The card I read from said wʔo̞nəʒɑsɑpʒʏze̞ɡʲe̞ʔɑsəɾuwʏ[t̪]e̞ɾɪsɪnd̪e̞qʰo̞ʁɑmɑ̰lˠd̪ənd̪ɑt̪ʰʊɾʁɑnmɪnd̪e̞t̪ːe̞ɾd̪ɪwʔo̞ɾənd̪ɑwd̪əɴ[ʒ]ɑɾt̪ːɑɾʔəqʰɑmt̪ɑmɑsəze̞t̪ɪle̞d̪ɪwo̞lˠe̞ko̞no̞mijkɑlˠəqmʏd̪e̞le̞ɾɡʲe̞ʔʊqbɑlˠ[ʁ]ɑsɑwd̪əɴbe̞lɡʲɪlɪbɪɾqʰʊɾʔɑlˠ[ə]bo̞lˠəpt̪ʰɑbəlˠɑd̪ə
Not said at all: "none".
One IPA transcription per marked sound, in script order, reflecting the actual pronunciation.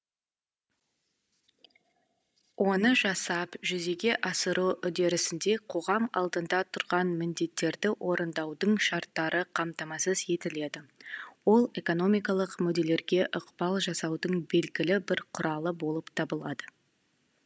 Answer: d̪, ʃ, ʒ, ə

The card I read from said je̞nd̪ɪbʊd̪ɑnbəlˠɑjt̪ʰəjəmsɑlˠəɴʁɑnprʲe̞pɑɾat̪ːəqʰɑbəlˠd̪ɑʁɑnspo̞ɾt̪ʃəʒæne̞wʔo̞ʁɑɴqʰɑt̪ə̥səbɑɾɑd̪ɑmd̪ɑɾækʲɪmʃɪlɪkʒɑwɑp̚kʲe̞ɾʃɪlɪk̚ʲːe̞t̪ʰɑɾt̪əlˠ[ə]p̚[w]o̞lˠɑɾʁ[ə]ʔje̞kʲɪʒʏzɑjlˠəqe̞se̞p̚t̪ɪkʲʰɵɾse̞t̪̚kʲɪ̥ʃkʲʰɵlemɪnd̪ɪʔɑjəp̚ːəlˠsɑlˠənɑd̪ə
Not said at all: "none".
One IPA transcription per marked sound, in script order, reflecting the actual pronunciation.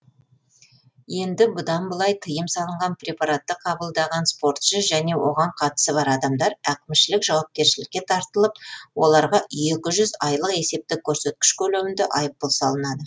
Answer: ə, w, ɑ

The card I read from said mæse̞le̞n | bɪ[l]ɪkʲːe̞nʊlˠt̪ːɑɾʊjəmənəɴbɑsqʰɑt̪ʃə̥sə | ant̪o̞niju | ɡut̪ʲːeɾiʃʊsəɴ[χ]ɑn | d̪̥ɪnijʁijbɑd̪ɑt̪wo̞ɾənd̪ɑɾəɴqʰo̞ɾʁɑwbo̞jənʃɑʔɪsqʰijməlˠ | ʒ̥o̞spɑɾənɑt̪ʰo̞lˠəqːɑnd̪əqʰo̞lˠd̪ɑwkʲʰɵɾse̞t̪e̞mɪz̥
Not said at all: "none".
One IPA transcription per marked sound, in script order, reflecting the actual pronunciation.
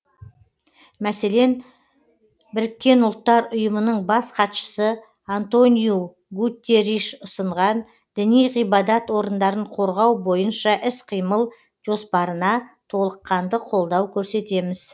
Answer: ɾ, ʁ

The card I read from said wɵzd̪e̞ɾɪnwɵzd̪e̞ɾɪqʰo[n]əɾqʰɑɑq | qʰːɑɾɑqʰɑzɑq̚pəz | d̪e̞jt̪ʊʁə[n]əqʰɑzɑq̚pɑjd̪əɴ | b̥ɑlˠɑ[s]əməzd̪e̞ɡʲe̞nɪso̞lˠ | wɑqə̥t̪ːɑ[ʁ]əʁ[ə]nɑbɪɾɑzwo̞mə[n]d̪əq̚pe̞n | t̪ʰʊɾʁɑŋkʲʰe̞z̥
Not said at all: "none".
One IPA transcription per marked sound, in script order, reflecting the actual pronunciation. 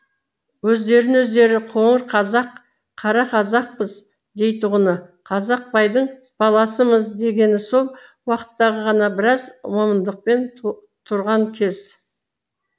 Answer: ɴ, n, s, ʁ, ɑ, n

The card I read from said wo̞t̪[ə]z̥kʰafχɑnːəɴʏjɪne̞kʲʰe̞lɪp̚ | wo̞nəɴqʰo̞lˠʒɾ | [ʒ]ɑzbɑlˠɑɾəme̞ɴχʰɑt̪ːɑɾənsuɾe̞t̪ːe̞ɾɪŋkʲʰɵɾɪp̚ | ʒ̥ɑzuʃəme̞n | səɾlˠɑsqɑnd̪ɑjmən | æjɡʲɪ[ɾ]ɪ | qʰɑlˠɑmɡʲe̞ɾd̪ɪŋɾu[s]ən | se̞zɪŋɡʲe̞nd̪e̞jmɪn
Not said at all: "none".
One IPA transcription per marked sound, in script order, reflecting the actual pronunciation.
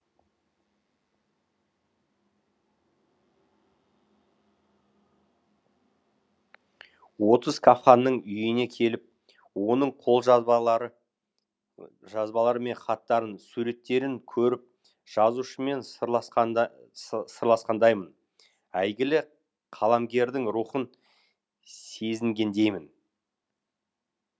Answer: ə, ʒ, l, χ

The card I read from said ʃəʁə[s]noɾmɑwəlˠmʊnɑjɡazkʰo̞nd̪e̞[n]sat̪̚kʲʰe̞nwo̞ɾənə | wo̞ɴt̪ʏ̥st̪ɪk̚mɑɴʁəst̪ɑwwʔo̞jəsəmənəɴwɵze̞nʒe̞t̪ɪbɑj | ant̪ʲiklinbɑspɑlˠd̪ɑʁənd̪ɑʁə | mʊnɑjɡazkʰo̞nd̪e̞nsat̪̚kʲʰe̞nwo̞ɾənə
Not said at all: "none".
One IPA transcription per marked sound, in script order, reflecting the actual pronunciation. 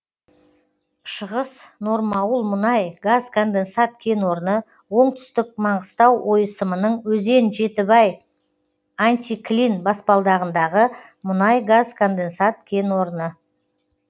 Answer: s, n

